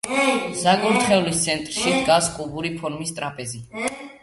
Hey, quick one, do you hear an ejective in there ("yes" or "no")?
yes